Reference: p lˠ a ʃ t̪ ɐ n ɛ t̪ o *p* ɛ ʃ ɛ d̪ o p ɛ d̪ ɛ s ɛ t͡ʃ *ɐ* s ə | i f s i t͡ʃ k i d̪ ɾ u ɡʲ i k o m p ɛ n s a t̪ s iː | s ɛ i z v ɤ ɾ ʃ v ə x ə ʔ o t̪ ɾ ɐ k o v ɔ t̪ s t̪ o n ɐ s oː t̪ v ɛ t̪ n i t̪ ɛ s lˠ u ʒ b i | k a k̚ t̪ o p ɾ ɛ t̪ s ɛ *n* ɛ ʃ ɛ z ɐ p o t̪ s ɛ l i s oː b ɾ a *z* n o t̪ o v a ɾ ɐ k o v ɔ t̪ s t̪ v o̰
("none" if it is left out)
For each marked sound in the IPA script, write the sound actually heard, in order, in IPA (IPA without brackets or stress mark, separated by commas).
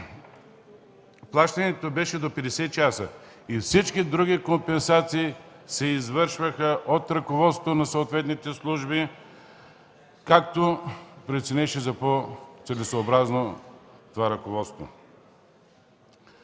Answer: b, a, n, z